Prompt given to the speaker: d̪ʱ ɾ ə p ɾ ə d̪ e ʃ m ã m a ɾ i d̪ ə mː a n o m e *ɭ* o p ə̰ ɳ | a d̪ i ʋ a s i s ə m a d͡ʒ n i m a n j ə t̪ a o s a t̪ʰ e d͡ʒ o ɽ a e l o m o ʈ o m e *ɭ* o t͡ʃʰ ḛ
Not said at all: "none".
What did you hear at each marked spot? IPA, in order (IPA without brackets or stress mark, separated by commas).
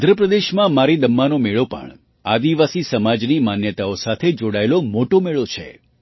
ɭ, ɭ